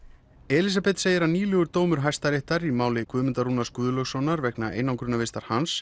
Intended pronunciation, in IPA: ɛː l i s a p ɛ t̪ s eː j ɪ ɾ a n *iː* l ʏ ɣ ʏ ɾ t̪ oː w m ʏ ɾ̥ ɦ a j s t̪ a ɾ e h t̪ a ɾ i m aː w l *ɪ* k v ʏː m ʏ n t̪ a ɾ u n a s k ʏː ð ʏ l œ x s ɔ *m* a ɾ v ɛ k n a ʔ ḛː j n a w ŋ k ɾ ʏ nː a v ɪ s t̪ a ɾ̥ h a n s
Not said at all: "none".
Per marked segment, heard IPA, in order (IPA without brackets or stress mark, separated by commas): iː, ɪ, n